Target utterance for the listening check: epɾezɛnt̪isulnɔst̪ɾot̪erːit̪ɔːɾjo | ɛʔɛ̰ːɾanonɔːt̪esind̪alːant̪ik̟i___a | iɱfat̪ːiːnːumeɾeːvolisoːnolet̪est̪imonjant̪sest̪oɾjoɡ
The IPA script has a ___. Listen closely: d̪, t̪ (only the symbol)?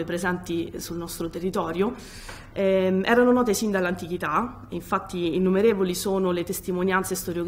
t̪